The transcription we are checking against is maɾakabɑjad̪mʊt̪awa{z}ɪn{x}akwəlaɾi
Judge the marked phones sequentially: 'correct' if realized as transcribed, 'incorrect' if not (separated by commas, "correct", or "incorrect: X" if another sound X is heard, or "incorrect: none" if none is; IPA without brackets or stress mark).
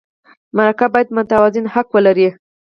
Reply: correct, incorrect: h